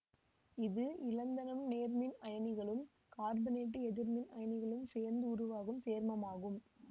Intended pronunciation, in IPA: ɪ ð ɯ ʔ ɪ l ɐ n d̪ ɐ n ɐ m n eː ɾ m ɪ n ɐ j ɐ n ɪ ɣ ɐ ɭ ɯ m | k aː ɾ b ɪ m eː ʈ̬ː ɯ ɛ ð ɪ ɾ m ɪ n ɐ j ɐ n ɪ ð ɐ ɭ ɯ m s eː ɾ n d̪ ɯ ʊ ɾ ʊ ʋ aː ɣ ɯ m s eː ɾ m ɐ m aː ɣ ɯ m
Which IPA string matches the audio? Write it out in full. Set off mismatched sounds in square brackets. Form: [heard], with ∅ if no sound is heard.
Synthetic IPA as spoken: ɪ ð ɯ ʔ ɪ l ɐ n d̪ ɐ n ɐ m n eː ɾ m ɪ n ɐ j ɐ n ɪ ɣ ɐ ɭ ɯ m | k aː ɾ b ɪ [n] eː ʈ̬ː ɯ ɛ ð ɪ ɾ m ɪ n ɐ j ɐ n ɪ [ɣ] ɐ ɭ ɯ m s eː ɾ n d̪ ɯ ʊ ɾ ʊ ʋ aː ɣ ɯ m s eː ɾ m ɐ m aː ɣ ɯ m